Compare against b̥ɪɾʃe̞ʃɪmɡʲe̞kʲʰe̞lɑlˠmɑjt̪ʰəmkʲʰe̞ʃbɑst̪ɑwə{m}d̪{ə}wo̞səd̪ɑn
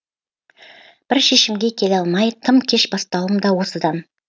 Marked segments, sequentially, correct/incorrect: correct, incorrect: ɑ

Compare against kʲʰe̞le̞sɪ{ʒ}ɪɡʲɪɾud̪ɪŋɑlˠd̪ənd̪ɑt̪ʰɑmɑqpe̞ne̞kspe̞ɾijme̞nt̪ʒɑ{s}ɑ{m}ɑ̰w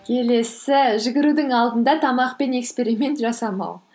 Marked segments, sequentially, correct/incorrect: correct, correct, correct

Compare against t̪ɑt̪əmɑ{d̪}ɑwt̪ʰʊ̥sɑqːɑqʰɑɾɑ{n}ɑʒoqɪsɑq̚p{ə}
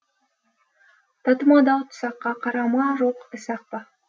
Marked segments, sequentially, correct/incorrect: correct, incorrect: m, incorrect: ɑ

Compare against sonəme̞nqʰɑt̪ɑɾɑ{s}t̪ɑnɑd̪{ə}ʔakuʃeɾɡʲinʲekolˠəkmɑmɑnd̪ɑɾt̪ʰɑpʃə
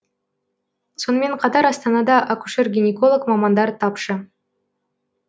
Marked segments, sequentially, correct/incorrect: correct, incorrect: ɑ

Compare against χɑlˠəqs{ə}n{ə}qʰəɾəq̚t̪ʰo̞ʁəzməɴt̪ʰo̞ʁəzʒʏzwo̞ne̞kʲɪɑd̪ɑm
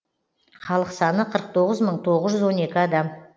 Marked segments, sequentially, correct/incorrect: incorrect: ɑ, correct

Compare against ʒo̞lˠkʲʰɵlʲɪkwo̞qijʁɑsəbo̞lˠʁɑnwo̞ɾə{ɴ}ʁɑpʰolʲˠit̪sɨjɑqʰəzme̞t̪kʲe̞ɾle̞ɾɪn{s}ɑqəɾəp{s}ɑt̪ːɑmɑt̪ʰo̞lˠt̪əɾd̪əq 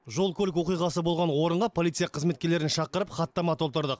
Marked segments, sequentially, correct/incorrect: correct, incorrect: ʃ, incorrect: χ

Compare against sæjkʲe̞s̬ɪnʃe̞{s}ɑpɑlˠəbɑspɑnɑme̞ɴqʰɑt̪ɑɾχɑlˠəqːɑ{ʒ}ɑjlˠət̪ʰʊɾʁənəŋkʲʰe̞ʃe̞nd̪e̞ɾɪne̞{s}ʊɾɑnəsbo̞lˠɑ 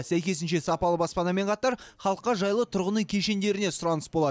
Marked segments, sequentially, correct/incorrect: correct, correct, correct

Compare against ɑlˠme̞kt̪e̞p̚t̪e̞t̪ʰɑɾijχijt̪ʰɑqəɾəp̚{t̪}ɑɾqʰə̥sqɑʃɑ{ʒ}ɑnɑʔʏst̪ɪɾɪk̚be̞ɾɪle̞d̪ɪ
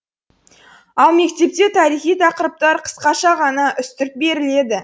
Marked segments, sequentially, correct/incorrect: correct, incorrect: ʁ

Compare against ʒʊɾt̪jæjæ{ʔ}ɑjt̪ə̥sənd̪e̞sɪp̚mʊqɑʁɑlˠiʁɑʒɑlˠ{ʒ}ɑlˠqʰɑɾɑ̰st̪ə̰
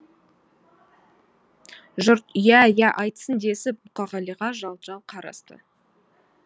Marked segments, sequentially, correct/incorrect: correct, correct

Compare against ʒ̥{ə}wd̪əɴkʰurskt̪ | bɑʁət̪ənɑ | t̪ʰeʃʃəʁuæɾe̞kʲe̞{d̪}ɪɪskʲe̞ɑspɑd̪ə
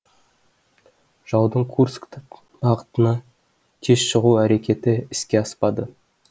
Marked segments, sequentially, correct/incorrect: incorrect: ɑ, incorrect: t̪

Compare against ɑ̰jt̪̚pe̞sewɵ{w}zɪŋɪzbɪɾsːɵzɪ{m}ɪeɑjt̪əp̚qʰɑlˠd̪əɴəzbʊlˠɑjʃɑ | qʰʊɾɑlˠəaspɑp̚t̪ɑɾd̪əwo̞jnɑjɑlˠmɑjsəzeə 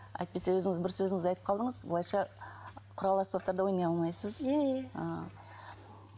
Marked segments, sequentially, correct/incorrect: incorrect: none, incorrect: ŋ

